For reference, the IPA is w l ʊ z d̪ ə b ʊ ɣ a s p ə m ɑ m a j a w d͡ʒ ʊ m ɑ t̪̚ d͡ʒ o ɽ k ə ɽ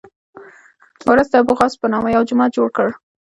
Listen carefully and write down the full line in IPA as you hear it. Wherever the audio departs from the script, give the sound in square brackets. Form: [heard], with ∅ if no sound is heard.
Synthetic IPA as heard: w [ɾ] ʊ z d̪ ə b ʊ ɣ [ɑ] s p ə [n] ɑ m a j a w d͡ʒ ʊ m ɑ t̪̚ d͡ʒ o ɽ k ə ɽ